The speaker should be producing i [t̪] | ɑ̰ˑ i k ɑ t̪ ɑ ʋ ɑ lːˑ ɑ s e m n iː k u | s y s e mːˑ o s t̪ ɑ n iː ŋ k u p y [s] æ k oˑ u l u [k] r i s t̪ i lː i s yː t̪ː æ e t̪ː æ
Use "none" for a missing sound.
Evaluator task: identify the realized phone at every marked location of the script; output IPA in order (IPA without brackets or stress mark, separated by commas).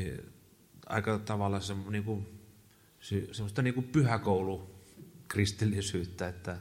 none, h, k